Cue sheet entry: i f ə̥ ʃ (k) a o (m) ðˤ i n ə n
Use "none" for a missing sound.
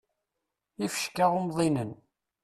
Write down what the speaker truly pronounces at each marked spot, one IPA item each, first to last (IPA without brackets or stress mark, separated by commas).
k, m